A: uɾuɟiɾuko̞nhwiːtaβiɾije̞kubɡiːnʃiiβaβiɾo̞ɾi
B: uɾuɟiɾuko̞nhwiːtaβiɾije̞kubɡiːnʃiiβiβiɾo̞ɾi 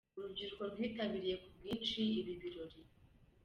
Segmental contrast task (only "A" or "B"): B